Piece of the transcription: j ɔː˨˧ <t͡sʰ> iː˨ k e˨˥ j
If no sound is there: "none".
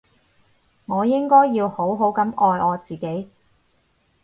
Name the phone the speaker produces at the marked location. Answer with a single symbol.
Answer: t͡s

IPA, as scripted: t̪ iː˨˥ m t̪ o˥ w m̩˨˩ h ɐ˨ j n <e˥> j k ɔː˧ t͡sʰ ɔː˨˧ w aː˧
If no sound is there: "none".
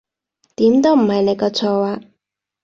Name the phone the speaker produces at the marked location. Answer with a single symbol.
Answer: e˨˧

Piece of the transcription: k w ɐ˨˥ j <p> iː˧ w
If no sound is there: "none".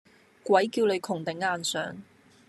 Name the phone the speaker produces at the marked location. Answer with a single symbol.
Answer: k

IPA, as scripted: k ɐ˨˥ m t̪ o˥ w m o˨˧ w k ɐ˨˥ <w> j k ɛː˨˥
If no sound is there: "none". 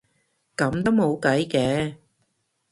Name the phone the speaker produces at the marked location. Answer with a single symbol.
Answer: none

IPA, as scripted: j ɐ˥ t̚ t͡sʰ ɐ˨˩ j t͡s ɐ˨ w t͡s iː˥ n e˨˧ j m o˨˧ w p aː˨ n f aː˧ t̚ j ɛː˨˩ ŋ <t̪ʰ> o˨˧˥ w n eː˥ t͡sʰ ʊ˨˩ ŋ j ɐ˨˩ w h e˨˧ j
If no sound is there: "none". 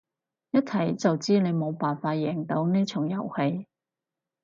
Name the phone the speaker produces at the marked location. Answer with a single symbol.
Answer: t̪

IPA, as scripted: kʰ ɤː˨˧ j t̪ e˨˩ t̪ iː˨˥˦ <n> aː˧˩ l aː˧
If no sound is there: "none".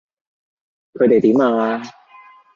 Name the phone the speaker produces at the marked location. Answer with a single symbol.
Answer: m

